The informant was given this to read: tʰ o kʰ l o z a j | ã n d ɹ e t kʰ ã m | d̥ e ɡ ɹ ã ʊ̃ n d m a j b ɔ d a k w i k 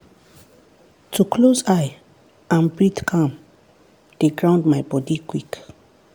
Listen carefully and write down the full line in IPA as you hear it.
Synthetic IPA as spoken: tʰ u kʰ l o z a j | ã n b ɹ i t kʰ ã m | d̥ e ɡ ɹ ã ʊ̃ n d m a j b ɔ d i k w i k

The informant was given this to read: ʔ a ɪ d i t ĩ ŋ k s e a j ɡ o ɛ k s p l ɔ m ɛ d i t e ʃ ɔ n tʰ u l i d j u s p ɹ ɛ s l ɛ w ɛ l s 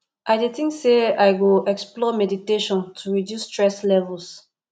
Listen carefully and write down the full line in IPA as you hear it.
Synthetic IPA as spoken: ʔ a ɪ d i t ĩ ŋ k s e a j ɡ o ɛ k s p l ɔ m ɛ d i t e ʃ ɔ̃ n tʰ u ɹ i d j u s t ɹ ɛ s l ɛ v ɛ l s

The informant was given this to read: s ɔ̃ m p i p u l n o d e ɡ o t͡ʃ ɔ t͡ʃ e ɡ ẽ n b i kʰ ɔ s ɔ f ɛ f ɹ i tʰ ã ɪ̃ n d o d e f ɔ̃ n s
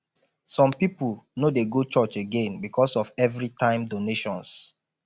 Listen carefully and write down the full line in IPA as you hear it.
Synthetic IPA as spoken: s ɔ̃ m p i p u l n o d e ɡ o t͡ʃ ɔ t͡ʃ e ɡ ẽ n b i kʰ ɔ s ɔ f ɛ v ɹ i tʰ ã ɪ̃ m d o n e ʃ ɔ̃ n s

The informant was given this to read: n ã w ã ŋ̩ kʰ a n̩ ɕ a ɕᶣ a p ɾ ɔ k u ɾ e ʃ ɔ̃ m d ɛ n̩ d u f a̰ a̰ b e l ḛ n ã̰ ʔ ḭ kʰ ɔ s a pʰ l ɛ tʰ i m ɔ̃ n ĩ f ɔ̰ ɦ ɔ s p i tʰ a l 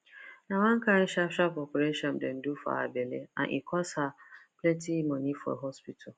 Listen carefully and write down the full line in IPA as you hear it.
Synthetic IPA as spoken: n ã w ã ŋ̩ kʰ a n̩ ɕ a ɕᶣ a p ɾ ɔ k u ɾ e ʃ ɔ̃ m d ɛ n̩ d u f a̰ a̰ b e l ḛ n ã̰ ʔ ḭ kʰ ɔ s a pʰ l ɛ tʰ i m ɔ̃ n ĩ f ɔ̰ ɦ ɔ s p i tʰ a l

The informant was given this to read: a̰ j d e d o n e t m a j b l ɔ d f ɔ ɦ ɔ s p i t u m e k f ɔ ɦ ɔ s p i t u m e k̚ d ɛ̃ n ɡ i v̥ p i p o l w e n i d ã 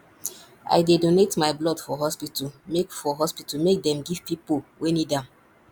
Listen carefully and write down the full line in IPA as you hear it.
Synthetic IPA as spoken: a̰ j d e d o n e t m a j b l ɔ d f ɔ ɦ ɔ s p i t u m e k f ɔ ɦ ɔ s p i t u m e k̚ d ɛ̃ m ɡ i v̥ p i p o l w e n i d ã

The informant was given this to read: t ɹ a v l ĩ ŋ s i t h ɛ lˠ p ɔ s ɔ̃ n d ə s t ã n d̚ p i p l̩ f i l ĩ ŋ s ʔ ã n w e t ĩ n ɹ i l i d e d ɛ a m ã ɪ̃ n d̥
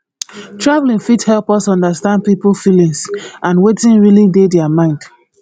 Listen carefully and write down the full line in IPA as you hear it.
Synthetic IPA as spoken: t ɹ a v l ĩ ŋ f i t h ɛ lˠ p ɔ s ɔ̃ n d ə s t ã n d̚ p i p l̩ f i l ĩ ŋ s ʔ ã n w e t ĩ n ɹ i l i d e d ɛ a m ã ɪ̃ n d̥

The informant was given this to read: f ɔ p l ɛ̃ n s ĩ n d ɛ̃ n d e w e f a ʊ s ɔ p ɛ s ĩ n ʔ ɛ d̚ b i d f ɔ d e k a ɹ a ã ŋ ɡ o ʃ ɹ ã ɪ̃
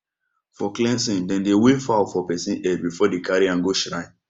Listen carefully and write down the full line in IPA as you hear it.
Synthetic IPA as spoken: f ɔ k l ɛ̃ n s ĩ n d ɛ̃ n d e w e f a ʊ f ɔ p ɛ s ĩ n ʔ ɛ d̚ b i f ɔ d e k a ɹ i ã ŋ ɡ o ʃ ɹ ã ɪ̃

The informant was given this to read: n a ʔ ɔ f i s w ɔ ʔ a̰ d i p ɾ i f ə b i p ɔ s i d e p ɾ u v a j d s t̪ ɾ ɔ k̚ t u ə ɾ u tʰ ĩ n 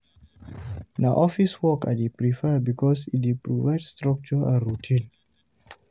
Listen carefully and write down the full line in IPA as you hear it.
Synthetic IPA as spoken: n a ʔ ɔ f i s w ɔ k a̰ d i p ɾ i f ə b i k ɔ s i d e p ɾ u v a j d s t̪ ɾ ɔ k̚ t͡ʃ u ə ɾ u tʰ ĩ n

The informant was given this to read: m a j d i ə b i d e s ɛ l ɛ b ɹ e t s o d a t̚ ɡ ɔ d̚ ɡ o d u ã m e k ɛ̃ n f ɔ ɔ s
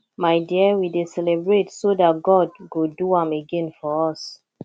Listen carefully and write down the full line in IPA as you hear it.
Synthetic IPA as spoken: m a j d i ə w i d e s ɛ l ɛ b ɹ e t s o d a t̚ ɡ ɔ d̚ ɡ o d u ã m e ɡ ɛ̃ n f ɔ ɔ s

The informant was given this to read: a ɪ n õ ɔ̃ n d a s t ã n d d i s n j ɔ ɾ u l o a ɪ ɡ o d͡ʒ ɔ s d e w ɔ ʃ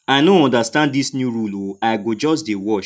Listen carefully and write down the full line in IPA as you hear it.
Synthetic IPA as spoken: a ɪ n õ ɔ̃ n d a s t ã n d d i s n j u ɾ u l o a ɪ ɡ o d͡ʒ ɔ s d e w ɔ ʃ

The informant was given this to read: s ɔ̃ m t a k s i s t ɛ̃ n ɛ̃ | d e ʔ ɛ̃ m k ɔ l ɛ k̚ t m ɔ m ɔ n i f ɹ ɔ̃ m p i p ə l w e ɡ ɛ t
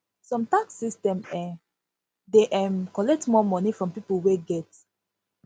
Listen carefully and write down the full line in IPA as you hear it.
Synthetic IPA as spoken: s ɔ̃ m t a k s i s t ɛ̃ m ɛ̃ | d e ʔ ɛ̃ m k ɔ l ɛ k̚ t m ɔ m ɔ n i f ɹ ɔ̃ m p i p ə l w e ɡ ɛ t

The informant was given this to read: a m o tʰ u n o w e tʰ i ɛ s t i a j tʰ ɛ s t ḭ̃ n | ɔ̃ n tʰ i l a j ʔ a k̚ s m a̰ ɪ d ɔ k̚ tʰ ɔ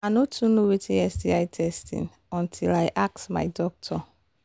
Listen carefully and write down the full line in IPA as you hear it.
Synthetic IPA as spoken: a n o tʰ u n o w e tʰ i ɛ s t i a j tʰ ɛ s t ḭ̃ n | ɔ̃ n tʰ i l a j ʔ a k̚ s m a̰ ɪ d ɔ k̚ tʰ ɔ

